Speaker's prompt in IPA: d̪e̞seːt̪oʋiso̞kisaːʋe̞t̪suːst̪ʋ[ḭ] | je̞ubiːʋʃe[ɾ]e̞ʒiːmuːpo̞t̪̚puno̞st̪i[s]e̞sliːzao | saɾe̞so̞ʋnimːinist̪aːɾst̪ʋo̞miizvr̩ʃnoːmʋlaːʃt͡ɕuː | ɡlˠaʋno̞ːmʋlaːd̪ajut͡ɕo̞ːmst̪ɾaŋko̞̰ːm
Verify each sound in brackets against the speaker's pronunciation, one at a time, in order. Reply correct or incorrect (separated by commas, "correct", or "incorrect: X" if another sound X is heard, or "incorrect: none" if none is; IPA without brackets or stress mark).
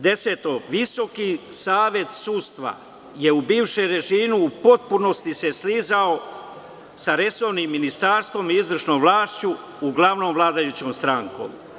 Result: incorrect: a̰, correct, correct